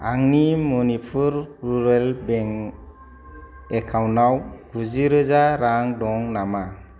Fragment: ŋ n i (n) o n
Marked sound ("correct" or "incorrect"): incorrect